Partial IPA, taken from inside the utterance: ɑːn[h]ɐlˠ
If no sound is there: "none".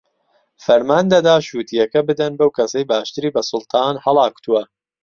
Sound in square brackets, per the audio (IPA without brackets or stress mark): h